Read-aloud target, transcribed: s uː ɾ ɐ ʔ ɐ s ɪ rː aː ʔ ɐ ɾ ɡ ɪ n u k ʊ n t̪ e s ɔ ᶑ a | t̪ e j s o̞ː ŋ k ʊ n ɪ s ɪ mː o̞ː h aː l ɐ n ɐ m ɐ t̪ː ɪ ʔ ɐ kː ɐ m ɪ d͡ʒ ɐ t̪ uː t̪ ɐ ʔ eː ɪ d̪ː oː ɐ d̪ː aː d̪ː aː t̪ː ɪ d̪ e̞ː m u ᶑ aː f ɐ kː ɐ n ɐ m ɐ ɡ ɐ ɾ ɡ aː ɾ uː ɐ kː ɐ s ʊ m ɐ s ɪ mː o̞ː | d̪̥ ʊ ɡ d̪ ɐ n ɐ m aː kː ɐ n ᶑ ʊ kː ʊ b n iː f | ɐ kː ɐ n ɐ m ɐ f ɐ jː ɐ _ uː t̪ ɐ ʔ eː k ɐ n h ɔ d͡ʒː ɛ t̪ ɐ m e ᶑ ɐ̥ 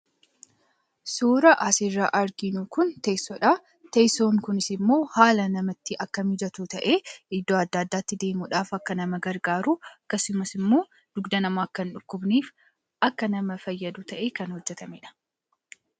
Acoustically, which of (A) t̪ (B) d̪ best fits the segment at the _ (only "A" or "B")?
B